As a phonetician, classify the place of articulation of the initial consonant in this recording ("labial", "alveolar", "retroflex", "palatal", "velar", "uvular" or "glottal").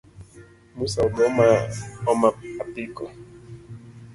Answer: labial